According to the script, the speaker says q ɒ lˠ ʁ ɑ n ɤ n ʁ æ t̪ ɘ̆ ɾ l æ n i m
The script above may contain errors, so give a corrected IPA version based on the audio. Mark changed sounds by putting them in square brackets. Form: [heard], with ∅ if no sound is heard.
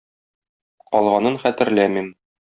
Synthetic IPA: q ɒ lˠ ʁ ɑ n ɤ n [χ] æ t̪ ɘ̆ ɾ l æ [m] i m